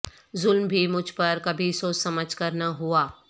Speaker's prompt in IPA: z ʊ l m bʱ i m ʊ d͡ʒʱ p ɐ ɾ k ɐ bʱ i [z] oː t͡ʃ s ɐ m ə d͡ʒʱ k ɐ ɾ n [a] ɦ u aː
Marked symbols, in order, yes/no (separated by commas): no, yes